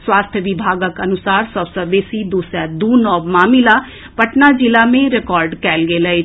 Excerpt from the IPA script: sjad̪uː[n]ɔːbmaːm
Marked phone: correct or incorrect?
correct